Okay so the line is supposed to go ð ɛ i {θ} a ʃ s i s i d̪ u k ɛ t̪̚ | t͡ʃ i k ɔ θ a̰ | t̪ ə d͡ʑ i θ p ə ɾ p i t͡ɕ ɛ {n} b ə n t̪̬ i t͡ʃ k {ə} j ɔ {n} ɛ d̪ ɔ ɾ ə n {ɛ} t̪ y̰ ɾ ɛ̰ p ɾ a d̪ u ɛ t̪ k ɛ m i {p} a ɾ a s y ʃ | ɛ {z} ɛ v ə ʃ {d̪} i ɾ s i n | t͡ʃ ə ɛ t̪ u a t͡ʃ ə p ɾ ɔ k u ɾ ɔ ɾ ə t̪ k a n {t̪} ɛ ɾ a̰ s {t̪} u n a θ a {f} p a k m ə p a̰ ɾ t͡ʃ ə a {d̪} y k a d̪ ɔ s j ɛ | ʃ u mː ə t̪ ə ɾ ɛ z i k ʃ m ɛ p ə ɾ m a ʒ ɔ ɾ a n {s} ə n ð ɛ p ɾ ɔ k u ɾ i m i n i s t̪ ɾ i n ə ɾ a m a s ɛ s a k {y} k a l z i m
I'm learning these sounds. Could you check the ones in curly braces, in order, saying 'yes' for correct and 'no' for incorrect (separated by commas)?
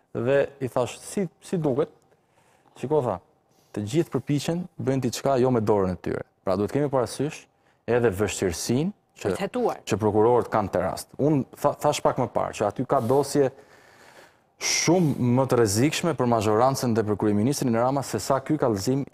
yes, yes, no, no, yes, yes, no, no, yes, yes, no, no, no, yes